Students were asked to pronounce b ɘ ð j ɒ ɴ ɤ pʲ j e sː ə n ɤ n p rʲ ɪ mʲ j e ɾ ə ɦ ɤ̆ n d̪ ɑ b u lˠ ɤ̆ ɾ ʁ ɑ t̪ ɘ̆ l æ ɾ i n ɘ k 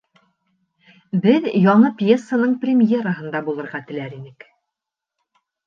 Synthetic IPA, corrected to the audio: b ɘ ð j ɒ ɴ ɤ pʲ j e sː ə n ɤ ɴ p rʲ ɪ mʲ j e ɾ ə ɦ ɤ̆ n d̪ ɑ b u lˠ ɤ̆ ɾ ʁ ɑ t̪ ɘ̆ l æ ɾ i n ɘ k